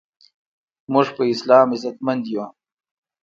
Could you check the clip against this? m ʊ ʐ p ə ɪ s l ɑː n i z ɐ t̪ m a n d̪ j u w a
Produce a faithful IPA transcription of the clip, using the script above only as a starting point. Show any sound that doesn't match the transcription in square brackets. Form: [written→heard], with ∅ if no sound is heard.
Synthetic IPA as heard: m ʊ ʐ p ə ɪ s l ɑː [n→m] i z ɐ t̪ m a n d̪ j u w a

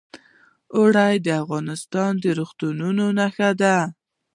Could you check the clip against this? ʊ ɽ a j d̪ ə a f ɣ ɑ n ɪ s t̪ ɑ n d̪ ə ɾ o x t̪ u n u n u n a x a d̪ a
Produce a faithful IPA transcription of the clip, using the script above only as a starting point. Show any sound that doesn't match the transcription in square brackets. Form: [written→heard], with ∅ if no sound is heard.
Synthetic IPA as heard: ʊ ɽ a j d̪ ə a f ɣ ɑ n ɪ s t̪ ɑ n d̪ ə ɾ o x t̪ u n u n [u→o] n a x a d̪ a

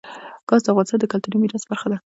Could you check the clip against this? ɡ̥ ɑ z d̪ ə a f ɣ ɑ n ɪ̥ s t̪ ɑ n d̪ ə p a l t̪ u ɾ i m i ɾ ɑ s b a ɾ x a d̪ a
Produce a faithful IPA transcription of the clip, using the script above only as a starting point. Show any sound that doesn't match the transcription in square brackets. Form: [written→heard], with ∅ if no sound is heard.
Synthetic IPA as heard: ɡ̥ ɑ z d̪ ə a f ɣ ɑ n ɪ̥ s t̪ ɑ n d̪ ə [p→k] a l t̪ u ɾ i m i ɾ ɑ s b a ɾ x a d̪ a

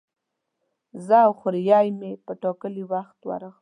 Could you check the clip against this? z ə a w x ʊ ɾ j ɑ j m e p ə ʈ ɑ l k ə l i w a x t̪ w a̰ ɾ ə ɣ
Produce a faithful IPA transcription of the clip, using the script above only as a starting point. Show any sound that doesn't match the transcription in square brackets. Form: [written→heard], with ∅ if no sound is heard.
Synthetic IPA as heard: z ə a w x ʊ ɾ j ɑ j m e p ə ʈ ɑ [l→∅] k ə l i w a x t̪ w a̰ ɾ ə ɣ

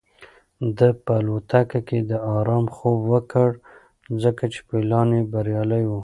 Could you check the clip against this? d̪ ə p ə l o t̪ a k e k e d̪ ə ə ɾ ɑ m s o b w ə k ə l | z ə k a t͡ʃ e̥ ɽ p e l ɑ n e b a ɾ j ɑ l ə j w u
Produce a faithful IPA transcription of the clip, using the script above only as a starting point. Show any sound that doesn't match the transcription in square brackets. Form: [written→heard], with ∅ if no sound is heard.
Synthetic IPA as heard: d̪ ə p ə l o t̪ a k [e→a] k e d̪ ə [ə→ɑ] ɾ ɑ m [s→x] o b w ə k ə [l→ɽ] | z ə k a t͡ʃ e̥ [ɽ→∅] p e l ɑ n e b a ɾ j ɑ l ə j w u

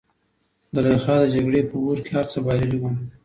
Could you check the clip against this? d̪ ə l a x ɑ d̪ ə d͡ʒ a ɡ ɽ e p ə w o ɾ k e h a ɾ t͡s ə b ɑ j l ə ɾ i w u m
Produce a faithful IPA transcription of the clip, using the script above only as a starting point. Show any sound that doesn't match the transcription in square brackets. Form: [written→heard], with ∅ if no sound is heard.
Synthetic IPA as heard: d̪ ə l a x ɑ d̪ ə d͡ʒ a ɡ ɽ e p ə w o ɾ k e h a ɾ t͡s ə b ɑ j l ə [ɾ→l] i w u m

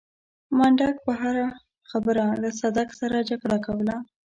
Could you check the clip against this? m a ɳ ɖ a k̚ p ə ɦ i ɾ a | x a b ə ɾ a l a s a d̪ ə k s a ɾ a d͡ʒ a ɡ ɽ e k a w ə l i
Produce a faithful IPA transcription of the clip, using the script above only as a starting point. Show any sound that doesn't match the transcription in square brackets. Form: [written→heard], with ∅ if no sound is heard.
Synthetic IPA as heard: m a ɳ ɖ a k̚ p ə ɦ [i→a] ɾ a | x a b ə ɾ a l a s a d̪ [ə→a] k s a ɾ a d͡ʒ a ɡ ɽ [e→a] k a w ə l [i→a]

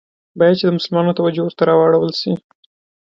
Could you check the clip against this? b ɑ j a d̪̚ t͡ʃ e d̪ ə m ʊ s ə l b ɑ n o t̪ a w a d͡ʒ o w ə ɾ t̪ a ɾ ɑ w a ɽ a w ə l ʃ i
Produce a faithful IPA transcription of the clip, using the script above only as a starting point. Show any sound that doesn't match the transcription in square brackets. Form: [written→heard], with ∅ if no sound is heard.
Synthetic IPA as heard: b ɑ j a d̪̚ t͡ʃ e d̪ ə m ʊ s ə l [b→m] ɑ n o t̪ a w a d͡ʒ o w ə ɾ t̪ a ɾ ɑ w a ɽ a w ə l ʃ i

